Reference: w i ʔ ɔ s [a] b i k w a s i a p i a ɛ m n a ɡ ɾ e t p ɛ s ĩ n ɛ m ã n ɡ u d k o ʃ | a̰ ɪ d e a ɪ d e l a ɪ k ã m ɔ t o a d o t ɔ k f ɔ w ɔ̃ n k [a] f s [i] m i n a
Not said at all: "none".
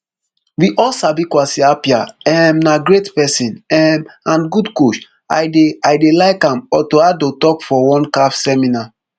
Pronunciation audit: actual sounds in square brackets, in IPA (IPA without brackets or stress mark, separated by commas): a, a, ɛ